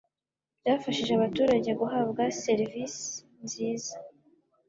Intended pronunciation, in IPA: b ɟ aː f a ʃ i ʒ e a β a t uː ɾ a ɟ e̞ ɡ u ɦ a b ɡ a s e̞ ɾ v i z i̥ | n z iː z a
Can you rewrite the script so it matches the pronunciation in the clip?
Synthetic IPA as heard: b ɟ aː f a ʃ i ʒ e a β a t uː ɾ a ɟ e̞ ɡ u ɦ a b ɡ a s e̞ ɾ v i s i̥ | n z iː z a